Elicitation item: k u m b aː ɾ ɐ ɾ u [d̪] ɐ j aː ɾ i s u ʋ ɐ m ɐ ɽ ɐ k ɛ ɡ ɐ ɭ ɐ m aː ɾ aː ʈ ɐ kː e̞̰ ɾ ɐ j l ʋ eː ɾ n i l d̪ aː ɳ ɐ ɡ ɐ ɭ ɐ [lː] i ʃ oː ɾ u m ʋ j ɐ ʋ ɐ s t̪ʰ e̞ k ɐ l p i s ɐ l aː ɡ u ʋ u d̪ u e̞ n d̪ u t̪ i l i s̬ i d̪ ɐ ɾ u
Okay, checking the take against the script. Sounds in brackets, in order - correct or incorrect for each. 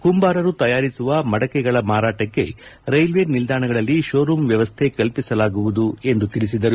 incorrect: t̪, correct

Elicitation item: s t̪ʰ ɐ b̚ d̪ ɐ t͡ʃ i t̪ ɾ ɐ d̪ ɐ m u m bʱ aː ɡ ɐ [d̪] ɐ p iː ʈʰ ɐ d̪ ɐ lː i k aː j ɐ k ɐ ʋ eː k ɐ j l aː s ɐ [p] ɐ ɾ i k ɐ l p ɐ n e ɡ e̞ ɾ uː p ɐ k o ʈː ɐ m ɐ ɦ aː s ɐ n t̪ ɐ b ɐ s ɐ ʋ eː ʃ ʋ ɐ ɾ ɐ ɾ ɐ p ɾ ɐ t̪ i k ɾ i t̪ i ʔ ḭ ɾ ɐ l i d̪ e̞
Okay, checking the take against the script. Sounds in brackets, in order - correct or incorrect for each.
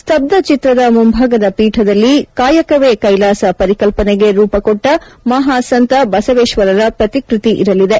correct, correct

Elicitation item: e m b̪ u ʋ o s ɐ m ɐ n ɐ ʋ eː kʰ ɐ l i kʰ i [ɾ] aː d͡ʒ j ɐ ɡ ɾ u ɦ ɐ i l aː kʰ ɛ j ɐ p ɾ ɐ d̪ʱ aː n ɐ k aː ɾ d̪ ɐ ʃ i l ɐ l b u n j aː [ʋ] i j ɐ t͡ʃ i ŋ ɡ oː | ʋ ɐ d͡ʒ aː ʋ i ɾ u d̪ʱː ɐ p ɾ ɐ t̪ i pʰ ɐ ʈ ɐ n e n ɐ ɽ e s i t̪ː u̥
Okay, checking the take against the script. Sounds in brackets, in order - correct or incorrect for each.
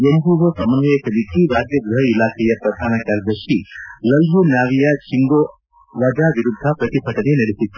correct, correct

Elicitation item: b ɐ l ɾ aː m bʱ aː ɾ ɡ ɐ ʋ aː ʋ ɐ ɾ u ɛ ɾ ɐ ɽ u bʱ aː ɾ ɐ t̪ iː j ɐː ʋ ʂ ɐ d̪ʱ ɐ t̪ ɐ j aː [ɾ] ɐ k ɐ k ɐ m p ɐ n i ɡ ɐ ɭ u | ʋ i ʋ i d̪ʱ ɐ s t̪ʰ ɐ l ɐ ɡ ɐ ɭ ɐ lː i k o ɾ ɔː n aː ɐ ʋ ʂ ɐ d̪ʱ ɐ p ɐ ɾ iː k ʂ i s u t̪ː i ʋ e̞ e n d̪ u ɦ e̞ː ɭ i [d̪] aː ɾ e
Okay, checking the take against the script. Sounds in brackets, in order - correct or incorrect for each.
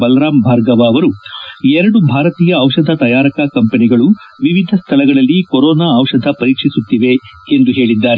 correct, incorrect: d̪ː

